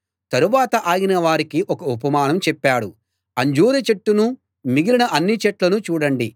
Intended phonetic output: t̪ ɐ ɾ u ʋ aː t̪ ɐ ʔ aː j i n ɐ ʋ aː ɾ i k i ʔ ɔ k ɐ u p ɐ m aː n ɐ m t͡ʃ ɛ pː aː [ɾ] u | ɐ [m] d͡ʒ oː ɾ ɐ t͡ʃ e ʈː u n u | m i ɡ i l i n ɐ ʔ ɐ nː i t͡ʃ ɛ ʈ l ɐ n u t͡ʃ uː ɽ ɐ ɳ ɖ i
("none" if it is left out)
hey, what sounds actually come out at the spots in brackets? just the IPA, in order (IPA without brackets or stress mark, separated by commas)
ɽ, ɲ